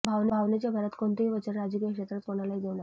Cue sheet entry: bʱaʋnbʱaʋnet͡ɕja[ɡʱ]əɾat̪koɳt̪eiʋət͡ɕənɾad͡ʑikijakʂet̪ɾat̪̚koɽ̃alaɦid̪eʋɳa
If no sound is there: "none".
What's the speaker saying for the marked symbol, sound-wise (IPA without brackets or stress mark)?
bʱ